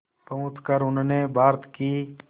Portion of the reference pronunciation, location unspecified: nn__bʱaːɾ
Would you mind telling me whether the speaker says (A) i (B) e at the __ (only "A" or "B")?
B